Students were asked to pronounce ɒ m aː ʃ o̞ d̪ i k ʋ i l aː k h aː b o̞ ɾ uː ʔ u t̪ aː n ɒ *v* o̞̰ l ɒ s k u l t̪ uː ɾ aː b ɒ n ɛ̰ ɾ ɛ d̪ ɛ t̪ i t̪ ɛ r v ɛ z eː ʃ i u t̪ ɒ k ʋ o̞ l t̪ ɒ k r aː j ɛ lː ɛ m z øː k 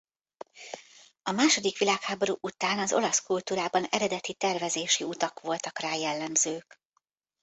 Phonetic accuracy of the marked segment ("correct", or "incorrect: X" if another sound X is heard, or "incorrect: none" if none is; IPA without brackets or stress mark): incorrect: z